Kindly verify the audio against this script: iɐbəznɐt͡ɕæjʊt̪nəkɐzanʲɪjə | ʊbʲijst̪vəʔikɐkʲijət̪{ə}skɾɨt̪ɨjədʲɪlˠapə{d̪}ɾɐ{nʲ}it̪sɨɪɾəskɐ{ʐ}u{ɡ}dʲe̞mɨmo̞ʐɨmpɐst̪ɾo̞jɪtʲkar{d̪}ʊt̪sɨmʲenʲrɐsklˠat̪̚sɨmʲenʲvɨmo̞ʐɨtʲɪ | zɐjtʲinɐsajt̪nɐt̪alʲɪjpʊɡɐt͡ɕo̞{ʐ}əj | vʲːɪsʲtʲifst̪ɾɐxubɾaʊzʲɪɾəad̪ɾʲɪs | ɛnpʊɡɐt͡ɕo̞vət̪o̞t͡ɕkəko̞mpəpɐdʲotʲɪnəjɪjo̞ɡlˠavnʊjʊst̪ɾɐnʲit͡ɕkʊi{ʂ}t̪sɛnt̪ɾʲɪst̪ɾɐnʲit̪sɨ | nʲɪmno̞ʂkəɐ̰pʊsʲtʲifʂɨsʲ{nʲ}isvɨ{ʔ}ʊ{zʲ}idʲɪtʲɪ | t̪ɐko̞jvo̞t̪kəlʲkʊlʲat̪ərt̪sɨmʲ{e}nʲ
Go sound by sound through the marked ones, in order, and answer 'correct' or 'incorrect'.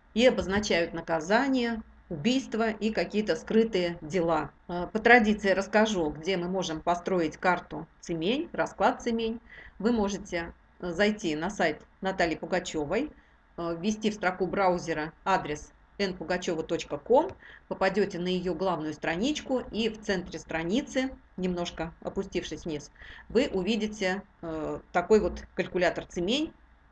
correct, incorrect: t̪, incorrect: dʲ, correct, correct, incorrect: t̪, incorrect: v, incorrect: f, correct, correct, incorrect: vʲ, correct

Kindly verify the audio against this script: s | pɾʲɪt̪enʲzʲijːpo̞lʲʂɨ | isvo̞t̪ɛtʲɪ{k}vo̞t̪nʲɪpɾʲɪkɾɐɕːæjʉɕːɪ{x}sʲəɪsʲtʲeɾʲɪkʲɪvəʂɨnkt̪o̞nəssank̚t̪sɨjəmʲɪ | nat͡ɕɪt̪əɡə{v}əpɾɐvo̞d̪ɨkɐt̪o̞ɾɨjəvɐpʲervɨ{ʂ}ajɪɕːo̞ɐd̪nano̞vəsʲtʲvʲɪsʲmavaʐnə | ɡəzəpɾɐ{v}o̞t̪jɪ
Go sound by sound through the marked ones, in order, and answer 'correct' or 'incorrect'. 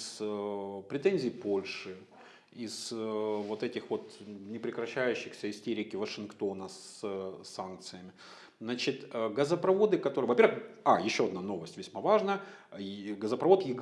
incorrect: x, correct, incorrect: z, incorrect: x, correct

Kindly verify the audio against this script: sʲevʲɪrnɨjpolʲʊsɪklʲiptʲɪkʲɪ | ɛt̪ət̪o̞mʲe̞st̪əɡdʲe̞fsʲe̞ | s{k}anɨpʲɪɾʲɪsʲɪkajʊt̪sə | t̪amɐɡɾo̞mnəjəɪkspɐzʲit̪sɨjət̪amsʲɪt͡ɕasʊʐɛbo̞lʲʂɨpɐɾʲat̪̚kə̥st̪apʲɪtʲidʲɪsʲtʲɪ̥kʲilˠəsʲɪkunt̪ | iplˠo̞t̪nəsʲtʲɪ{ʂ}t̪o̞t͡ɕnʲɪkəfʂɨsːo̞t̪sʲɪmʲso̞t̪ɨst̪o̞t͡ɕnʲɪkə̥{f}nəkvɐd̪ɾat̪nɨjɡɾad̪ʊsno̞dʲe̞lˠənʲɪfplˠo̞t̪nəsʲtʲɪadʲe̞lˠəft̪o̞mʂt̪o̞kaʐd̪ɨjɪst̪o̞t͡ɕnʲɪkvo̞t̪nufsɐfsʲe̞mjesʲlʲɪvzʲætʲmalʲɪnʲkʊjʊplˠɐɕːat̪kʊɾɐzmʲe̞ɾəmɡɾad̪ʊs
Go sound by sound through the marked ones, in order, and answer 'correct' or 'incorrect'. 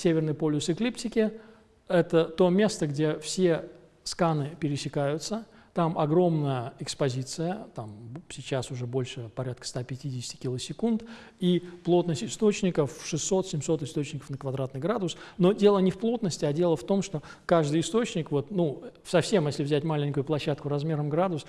correct, incorrect: s, correct

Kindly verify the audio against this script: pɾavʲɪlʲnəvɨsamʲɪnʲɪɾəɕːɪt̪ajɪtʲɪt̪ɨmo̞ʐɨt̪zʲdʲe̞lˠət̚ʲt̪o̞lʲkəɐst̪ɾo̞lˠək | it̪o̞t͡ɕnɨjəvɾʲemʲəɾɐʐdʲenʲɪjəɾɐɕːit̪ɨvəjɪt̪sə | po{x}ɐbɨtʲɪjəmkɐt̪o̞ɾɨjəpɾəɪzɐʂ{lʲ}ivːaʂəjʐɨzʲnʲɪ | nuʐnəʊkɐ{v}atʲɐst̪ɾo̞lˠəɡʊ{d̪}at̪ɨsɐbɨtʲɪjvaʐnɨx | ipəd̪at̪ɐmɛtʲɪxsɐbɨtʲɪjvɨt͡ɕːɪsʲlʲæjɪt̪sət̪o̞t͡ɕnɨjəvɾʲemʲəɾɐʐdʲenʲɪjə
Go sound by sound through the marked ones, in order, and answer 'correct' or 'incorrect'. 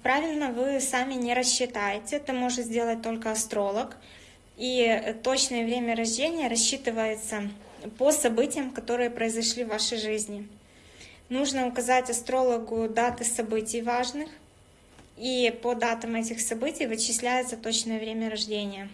incorrect: s, correct, incorrect: z, correct

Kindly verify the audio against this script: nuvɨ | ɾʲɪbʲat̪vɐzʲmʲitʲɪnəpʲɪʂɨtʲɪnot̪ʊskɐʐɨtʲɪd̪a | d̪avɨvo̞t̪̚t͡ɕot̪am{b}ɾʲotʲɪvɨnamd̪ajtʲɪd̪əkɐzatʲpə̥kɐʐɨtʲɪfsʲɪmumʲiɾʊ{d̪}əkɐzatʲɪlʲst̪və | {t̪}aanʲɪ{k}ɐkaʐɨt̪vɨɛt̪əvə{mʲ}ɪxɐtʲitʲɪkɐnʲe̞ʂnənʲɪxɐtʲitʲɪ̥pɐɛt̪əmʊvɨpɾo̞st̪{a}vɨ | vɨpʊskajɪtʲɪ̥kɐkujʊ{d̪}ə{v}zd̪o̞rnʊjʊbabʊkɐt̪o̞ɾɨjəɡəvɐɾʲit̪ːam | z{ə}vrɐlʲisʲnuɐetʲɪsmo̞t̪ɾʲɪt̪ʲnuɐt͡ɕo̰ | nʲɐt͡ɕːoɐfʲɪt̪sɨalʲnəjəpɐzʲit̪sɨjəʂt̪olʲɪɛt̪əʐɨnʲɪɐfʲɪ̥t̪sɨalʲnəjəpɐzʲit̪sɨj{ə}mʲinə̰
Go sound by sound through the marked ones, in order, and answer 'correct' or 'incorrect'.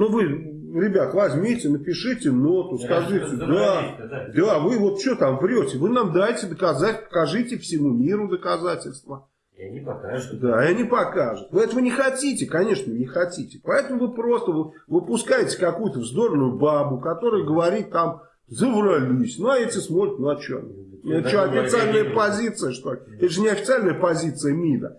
incorrect: v, correct, incorrect: d̪, incorrect: p, incorrect: nʲ, incorrect: ə, incorrect: t̪, correct, correct, correct

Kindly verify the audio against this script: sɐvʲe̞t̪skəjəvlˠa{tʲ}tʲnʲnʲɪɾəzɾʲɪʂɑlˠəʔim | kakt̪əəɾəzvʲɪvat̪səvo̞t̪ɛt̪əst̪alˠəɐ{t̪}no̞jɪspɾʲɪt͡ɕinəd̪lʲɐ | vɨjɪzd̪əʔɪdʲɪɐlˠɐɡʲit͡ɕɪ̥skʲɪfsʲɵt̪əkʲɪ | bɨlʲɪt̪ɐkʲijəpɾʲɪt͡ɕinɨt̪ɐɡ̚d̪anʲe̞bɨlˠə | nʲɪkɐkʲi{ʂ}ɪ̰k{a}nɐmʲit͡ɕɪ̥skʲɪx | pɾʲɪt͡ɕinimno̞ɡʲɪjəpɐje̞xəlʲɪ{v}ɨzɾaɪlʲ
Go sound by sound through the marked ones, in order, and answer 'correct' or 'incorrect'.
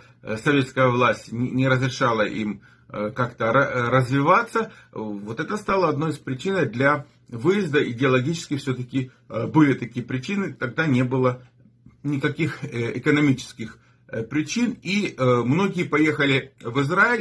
incorrect: sʲ, incorrect: d̪, incorrect: x, incorrect: ə, correct

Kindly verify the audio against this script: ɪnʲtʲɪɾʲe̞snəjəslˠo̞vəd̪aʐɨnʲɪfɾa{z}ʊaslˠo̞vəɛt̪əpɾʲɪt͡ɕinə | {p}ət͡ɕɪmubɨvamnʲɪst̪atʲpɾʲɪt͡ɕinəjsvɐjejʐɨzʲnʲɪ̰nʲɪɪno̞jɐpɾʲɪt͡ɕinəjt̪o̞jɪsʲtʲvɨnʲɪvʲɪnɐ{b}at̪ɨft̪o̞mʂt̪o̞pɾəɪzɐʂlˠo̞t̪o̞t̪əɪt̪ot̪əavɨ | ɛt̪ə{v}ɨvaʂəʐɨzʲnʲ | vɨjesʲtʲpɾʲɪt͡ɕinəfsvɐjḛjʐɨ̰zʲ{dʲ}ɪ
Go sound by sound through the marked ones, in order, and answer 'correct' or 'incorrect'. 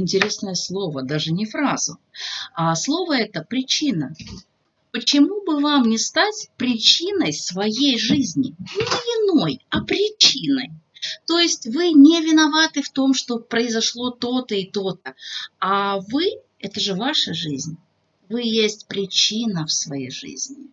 correct, correct, incorrect: v, incorrect: ʐ, incorrect: nʲ

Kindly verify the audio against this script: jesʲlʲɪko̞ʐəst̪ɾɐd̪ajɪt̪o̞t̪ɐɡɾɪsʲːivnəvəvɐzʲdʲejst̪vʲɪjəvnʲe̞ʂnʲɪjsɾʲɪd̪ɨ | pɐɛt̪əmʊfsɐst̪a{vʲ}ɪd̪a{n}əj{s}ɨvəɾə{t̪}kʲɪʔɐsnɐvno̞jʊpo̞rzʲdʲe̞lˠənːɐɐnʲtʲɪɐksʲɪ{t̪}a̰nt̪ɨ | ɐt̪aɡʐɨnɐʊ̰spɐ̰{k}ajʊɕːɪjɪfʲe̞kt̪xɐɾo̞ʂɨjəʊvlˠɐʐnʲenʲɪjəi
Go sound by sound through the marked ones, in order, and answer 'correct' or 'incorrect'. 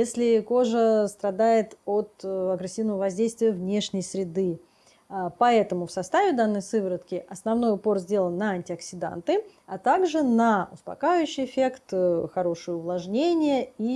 correct, incorrect: nː, correct, correct, incorrect: d̪, correct

